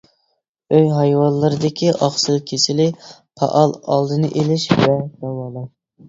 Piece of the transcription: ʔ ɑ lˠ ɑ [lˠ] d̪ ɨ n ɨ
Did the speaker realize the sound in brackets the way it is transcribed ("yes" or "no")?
yes